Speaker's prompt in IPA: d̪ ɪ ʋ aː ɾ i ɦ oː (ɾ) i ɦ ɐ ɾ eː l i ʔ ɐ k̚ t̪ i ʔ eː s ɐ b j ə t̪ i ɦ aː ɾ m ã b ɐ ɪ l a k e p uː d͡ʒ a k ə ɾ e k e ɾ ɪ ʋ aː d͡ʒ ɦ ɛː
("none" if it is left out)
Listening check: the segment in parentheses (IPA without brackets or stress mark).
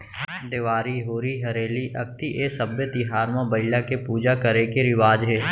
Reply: ɾ